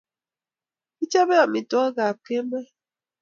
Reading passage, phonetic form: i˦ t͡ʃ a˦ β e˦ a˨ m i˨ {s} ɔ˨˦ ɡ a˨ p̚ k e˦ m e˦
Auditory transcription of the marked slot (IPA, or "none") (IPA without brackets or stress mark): t